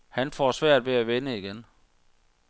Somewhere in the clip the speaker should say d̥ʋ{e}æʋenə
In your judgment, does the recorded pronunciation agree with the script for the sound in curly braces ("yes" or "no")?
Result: yes